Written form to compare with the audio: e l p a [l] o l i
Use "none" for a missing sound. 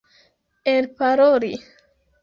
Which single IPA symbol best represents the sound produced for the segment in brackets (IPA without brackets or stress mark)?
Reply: ɾ